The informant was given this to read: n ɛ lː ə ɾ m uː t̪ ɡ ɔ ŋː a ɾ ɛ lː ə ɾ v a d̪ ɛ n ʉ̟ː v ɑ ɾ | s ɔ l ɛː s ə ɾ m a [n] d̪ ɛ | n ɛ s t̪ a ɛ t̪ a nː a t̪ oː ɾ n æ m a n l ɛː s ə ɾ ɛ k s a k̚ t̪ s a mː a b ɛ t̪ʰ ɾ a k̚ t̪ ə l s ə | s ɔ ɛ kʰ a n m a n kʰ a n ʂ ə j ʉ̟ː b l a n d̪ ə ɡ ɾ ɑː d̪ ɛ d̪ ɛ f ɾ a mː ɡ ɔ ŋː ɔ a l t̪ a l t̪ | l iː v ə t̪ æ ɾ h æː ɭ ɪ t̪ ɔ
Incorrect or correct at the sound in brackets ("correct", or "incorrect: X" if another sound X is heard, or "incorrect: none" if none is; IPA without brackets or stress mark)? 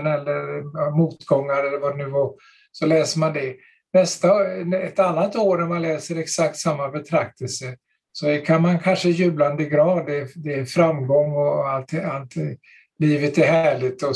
correct